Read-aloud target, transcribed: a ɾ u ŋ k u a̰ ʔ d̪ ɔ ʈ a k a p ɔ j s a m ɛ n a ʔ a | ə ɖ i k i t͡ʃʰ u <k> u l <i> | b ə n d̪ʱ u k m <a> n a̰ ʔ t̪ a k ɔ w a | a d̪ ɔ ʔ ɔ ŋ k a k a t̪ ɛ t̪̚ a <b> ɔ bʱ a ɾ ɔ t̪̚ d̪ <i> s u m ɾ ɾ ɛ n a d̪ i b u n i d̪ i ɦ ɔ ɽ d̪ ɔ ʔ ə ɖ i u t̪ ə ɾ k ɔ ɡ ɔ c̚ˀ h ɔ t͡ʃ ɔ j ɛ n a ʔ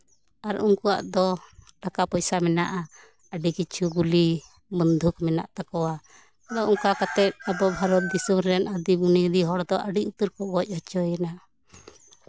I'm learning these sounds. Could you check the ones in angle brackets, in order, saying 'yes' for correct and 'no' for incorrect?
no, yes, no, yes, yes

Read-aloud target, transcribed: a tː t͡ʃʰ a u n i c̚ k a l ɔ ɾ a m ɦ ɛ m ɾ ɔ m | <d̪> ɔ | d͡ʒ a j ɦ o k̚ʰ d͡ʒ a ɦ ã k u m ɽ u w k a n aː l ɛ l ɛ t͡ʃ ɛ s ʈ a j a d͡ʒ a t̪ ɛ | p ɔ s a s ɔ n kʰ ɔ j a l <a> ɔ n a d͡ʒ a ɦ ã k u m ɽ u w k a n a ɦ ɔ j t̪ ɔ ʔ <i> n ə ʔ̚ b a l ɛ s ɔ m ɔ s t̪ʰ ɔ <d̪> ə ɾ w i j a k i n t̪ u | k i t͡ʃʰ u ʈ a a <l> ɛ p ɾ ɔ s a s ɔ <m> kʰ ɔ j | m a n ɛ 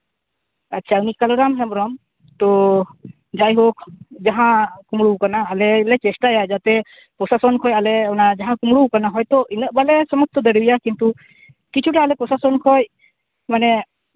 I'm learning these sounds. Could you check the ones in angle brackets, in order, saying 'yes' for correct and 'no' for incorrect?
no, no, yes, yes, yes, no

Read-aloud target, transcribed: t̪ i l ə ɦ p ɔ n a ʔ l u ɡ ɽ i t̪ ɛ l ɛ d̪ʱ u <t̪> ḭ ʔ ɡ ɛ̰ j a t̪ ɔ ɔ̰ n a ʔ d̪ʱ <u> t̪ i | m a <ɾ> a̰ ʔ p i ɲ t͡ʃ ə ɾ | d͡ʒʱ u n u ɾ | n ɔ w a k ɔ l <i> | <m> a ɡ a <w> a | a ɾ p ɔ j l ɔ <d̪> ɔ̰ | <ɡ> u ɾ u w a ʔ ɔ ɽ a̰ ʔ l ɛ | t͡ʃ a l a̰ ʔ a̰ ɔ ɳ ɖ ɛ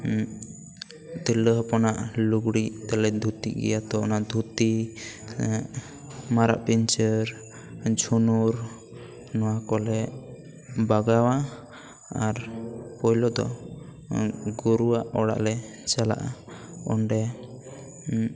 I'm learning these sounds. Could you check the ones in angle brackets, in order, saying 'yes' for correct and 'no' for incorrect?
yes, yes, yes, no, no, yes, yes, yes

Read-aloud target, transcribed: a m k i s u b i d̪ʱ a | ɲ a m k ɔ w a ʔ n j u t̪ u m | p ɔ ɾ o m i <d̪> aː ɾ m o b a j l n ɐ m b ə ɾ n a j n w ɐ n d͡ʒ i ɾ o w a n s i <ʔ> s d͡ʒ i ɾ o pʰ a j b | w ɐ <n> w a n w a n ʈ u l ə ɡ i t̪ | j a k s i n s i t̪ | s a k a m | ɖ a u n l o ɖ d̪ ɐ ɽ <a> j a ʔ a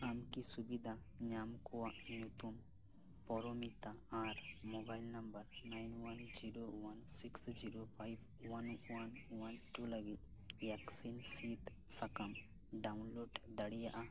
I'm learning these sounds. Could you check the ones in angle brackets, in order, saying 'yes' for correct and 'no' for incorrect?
no, no, yes, no

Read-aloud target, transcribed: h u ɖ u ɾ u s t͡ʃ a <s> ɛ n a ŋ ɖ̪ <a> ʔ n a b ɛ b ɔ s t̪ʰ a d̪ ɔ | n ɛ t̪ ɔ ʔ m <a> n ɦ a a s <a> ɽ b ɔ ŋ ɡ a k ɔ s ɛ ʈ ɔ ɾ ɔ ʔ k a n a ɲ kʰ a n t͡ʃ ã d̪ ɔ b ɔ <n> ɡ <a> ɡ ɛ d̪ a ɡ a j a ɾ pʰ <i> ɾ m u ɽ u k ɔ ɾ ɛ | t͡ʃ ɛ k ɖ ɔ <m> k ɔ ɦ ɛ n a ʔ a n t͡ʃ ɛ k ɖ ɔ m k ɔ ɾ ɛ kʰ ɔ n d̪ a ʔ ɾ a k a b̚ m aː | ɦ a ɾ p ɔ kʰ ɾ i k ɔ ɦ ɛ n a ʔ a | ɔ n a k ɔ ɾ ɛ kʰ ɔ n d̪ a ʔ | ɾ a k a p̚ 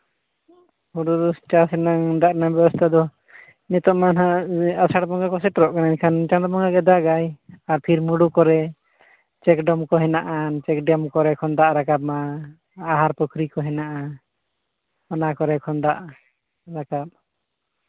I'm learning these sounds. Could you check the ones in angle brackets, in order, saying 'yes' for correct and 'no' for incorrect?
yes, yes, yes, yes, no, yes, yes, yes

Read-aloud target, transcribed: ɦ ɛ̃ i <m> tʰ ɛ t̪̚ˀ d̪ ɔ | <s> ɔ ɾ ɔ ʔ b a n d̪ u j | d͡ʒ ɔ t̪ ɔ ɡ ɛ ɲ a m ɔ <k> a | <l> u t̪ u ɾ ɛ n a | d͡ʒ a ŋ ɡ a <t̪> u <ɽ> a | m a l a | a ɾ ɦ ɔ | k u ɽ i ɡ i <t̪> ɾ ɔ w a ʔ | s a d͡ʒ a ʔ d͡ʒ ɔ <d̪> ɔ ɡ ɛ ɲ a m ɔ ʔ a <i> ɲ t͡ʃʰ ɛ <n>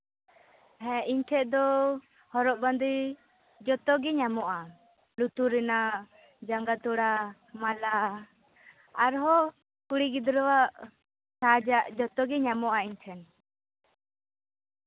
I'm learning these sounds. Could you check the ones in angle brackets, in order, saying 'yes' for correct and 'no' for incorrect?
no, no, no, yes, yes, yes, no, no, yes, yes

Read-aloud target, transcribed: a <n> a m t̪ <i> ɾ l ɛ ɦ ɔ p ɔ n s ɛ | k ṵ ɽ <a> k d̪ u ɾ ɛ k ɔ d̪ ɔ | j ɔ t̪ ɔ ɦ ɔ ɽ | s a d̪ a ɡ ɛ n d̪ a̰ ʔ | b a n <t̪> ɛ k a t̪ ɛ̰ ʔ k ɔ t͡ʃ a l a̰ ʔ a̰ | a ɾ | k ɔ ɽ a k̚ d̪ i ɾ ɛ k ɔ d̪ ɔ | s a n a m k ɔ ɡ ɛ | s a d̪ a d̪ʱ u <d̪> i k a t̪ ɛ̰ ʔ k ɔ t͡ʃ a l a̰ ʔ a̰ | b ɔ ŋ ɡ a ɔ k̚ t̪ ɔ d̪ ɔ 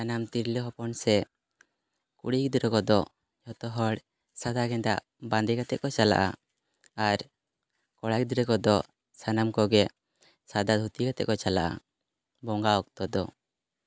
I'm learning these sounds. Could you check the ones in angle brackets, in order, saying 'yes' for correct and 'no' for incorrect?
yes, yes, no, no, no

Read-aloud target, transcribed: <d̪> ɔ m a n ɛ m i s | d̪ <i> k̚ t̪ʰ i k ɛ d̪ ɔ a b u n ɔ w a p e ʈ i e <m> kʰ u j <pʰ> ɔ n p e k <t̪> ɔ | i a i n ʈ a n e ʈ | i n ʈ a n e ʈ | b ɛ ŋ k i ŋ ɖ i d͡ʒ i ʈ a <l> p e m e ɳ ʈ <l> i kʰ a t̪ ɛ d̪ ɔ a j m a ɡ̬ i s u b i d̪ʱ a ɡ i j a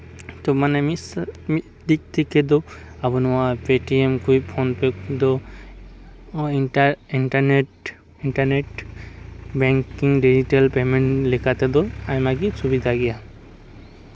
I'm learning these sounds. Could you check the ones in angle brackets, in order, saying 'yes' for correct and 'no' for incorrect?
no, yes, yes, yes, no, yes, yes

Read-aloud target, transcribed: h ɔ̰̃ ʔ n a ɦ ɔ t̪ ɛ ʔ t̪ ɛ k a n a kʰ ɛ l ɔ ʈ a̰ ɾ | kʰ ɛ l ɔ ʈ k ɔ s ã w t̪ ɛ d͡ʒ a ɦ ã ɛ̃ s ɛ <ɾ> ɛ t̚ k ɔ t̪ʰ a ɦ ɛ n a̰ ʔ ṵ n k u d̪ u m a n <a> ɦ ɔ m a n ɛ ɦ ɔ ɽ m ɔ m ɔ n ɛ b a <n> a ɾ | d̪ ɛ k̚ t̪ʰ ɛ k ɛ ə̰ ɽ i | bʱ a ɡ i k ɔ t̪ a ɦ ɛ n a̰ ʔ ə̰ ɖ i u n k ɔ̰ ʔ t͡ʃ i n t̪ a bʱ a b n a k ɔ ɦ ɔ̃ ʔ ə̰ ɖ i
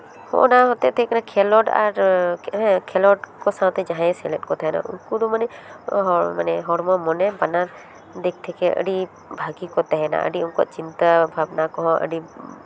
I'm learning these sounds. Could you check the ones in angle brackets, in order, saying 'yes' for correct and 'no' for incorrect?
no, no, yes

